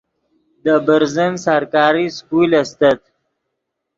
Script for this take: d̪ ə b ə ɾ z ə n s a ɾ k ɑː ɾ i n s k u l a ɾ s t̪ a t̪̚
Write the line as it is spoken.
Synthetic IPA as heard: d̪ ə b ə ɾ z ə n s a ɾ k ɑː ɾ i s k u l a s t̪ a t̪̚